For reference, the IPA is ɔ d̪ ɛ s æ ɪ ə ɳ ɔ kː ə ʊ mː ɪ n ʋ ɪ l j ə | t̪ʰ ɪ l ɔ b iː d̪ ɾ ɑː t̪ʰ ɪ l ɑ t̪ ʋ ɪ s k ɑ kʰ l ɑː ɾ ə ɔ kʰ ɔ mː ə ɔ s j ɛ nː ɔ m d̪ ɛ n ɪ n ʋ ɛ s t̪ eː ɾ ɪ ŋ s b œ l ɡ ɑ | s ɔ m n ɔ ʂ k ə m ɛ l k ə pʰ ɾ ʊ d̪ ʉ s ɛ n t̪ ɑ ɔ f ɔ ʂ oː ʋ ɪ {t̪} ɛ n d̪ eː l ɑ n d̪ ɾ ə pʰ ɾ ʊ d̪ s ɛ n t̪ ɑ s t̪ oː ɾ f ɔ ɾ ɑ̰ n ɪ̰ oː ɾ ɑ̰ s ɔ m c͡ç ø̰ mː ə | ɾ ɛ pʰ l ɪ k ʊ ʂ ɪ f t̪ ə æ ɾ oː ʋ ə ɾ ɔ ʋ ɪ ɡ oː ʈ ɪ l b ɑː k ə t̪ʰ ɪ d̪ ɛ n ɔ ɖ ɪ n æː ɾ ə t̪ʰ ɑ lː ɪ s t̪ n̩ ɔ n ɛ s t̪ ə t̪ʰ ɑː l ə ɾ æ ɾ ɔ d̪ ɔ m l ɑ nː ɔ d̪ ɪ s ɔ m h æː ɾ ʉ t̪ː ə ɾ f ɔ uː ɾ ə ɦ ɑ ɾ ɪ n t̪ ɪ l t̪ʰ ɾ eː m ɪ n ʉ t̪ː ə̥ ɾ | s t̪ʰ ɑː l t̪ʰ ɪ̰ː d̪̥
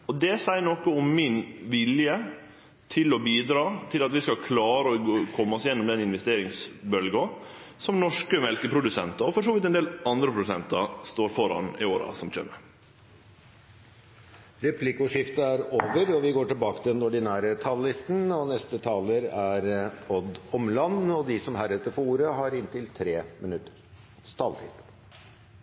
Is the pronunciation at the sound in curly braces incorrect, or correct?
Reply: correct